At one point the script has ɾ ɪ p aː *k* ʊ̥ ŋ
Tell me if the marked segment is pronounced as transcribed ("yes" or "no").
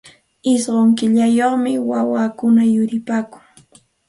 yes